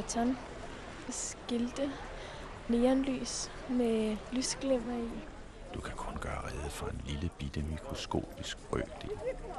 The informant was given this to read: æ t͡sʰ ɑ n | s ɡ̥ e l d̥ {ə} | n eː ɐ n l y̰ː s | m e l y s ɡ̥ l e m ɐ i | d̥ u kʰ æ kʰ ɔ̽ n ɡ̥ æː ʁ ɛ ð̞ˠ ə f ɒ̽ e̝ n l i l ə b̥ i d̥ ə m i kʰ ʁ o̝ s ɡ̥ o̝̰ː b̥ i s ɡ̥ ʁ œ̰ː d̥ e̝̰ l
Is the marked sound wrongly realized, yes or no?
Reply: no